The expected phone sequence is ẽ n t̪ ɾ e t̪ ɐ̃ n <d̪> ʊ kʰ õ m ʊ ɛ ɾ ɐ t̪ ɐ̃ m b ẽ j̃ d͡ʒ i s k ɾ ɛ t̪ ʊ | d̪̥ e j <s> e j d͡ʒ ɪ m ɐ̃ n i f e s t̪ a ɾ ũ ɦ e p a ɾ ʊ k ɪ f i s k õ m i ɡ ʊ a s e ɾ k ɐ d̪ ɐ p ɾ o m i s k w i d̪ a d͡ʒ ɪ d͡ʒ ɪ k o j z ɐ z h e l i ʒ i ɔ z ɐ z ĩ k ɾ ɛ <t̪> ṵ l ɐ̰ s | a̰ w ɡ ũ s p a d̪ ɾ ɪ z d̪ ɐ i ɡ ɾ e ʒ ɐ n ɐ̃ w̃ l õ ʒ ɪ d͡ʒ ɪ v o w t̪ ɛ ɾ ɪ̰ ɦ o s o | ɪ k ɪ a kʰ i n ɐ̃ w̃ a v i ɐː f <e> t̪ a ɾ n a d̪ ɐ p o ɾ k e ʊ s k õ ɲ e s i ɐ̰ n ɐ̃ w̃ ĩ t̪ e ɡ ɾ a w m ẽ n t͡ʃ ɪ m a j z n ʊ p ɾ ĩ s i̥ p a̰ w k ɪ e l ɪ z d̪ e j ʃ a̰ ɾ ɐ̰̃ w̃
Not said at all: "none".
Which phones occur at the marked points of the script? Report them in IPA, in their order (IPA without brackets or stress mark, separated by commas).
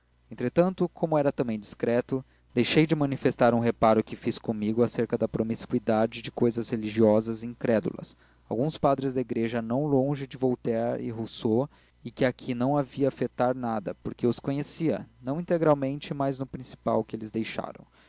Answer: t̪, ʃ, d̪, e